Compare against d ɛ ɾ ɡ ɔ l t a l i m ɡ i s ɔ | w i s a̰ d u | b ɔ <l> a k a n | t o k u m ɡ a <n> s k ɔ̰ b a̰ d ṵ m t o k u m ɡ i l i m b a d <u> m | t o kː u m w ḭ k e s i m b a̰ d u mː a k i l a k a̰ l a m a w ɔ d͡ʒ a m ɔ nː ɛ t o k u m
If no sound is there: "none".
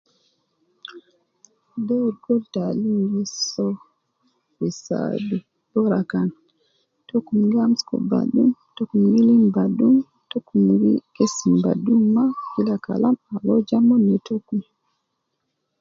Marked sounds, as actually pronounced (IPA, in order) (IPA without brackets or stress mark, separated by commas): ɾ, m, u